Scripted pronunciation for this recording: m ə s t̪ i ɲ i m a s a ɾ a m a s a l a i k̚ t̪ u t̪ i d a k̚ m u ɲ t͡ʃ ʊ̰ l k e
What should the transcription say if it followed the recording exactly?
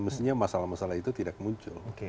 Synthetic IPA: m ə s t̪ i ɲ a m a s a l a m a s a l a i t̪ u t̪ i d a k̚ m u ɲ t͡ʃ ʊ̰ l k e